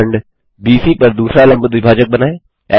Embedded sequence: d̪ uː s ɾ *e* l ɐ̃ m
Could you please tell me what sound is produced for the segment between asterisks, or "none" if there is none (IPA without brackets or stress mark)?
a